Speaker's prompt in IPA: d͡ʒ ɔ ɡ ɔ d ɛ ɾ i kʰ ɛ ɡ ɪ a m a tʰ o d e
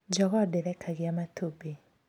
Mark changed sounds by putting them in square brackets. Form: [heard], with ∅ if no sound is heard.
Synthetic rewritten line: d͡ʒ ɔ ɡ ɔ d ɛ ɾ [ɛ] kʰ [a] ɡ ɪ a m a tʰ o [b] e